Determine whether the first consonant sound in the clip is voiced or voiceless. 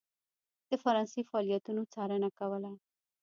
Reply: voiceless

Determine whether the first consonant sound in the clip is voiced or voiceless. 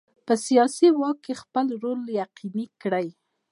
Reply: voiceless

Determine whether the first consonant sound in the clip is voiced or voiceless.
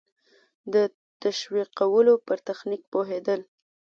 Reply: voiced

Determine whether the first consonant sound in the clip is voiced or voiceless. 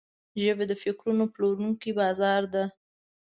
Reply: voiced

